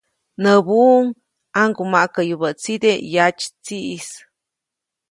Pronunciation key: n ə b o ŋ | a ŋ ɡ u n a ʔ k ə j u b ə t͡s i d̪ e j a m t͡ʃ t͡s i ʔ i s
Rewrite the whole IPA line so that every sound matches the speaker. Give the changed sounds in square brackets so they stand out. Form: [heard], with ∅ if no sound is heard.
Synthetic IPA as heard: n ə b [u] ŋ | a ŋ ɡ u [m] a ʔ k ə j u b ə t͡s i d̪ e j a [∅] t͡ʃ t͡s i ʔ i s